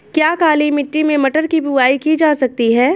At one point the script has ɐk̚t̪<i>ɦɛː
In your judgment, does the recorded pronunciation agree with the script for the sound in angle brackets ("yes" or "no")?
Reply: yes